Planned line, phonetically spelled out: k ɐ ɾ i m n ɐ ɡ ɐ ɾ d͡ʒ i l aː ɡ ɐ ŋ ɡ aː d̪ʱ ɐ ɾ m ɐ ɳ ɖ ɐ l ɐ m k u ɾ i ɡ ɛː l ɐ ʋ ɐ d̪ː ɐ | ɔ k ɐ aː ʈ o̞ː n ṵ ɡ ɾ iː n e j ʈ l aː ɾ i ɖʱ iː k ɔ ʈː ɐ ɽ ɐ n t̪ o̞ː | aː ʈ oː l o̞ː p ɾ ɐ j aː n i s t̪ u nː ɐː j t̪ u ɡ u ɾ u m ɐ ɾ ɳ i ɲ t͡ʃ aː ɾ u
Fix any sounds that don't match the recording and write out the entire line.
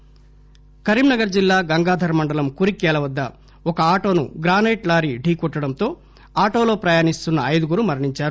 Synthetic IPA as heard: k ɐ ɾ i m n ɐ ɡ ɐ ɾ d͡ʒ i lː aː ɡ ɐ ŋ ɡ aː d̪ʱ ɐ ɾ m ɐ ɳ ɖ ɐ l ɐ m k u ɾ i k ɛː l ɐ ʋ ɐ d̪ː ɐ | ɔ k ɐ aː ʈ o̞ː n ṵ ɡ ɾ aː n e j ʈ l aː ɾ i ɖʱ iː k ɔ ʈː ɐ ɽ ɐ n t̪ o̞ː | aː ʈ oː l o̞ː p ɾ ɐ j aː n i s t̪ u nː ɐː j d̪ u ɡ u ɾ u m ɐ ɾ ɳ i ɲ t͡ʃ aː ɾ u